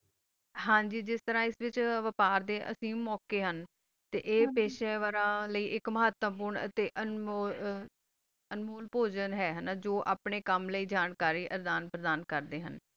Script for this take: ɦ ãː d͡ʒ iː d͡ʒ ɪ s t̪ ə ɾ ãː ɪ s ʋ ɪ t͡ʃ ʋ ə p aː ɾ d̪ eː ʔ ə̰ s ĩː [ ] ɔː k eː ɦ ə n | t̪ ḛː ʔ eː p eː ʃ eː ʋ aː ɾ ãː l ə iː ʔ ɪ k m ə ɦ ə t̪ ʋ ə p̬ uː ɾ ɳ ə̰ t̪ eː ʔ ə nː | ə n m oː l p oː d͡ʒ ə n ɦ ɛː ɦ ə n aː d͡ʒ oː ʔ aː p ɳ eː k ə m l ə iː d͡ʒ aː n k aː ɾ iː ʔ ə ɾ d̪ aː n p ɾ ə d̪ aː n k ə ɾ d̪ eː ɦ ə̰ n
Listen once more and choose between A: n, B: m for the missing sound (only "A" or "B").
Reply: B